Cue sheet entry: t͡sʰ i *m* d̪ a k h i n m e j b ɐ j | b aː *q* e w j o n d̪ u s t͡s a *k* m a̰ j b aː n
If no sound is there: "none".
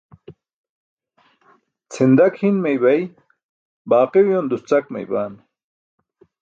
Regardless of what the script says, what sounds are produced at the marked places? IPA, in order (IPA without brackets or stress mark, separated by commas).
n, q, k